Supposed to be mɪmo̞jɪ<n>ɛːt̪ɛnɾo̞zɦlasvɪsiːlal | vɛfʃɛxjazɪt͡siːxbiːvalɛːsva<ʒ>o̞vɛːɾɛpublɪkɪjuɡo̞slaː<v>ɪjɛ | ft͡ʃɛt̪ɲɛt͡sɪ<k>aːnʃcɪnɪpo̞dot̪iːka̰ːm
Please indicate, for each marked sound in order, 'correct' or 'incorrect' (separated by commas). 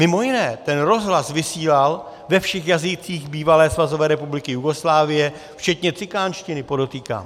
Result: correct, incorrect, correct, correct